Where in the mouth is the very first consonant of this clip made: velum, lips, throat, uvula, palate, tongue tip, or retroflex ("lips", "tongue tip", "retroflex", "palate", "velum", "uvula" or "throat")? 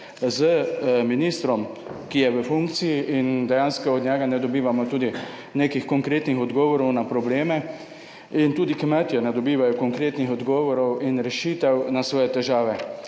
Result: tongue tip